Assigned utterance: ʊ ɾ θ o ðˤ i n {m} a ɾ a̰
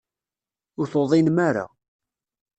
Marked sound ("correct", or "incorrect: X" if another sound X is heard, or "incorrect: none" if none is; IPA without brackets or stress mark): correct